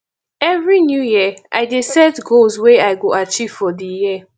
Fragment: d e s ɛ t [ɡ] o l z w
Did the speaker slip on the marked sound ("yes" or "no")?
no